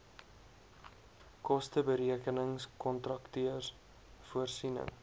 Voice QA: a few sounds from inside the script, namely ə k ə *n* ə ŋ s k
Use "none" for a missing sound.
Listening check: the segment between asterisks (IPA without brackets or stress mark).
n